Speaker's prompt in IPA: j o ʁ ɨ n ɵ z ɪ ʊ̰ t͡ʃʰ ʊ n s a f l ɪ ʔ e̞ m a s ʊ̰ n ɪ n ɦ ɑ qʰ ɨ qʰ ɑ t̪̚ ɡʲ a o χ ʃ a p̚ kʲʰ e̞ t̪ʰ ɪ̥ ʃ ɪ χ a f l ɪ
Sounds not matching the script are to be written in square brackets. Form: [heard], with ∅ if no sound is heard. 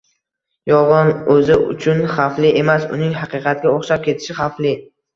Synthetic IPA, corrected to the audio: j [ɒ] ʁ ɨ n ɵ z ɪ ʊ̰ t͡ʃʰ ʊ n [χ] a f l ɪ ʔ e̞ m a s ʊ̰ n ɪ [ŋ] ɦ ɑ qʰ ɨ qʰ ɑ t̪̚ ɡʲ a o χ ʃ a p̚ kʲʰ e̞ t̪ʰ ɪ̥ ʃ ɪ χ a f l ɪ